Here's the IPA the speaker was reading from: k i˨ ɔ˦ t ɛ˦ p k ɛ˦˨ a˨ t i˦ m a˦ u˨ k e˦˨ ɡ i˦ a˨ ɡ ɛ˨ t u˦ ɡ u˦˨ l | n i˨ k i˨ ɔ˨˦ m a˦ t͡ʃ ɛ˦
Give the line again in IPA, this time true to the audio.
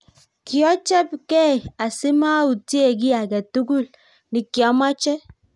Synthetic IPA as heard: k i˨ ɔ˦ t͡ʃ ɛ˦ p k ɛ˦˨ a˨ s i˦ m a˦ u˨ t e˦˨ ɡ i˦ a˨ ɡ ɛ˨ t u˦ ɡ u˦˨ l | n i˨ k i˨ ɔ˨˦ m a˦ t͡ʃ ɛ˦